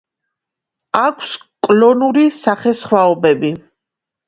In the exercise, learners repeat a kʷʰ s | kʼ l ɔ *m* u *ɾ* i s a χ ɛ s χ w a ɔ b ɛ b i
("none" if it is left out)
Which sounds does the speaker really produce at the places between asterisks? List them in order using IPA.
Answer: n, ɾ

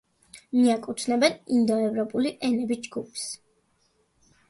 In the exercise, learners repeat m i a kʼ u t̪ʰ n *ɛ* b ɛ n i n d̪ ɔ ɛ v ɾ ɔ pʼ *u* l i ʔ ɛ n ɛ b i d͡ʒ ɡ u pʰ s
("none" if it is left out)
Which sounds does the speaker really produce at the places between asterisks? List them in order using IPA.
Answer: ɛ, u

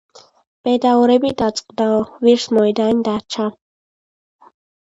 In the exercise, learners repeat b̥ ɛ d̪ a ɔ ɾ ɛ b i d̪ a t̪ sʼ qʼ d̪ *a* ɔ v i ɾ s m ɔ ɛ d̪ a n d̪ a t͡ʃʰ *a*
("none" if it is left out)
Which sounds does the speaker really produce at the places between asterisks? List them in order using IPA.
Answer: a, a

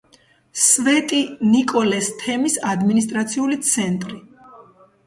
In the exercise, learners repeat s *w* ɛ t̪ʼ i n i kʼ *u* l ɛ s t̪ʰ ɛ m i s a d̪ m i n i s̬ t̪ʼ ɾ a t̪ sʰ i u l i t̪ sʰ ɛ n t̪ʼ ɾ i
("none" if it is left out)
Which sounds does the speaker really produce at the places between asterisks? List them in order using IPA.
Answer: v, ɔ

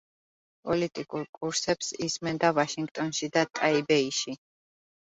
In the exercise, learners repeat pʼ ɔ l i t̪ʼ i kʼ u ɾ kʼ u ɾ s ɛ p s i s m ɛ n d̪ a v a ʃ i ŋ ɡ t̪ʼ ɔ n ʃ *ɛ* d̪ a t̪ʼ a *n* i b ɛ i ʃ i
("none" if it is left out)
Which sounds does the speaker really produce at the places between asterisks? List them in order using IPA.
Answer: i, none

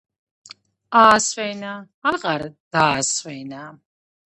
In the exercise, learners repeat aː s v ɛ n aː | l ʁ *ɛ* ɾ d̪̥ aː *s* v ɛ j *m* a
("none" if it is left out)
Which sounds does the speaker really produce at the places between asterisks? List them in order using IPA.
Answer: a, s, n

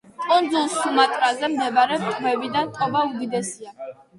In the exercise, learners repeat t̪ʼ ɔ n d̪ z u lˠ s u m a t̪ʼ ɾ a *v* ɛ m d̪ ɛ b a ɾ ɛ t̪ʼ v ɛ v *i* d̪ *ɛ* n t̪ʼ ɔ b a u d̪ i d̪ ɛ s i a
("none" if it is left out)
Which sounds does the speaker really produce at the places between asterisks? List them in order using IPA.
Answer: z, i, a

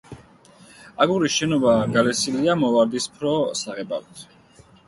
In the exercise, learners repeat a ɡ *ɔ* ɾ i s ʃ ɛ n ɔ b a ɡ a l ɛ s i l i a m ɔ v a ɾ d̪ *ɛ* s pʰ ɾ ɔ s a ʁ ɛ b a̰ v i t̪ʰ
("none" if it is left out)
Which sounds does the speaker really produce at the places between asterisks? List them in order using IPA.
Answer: u, i

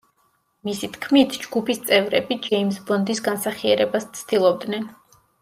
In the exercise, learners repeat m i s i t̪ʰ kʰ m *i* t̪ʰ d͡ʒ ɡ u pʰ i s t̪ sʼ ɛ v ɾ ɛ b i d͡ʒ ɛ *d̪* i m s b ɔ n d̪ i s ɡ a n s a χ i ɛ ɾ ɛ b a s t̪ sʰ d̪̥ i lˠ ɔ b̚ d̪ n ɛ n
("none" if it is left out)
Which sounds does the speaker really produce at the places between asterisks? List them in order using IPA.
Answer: i, none

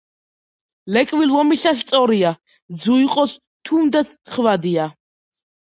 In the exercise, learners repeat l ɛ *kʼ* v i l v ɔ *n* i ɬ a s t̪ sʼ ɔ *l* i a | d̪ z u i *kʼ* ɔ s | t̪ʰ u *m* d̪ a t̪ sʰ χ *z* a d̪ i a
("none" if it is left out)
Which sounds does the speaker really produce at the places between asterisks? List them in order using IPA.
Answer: kʼ, m, ɾ, qʼ, m, v

